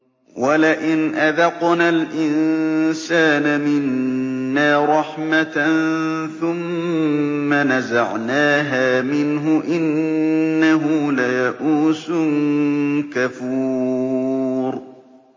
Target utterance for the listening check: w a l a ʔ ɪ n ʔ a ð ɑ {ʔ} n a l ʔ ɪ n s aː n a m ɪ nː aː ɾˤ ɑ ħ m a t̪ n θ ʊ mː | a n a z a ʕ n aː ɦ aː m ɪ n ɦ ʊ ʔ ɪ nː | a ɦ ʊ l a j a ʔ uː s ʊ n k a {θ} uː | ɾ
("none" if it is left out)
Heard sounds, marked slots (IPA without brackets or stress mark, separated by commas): q, f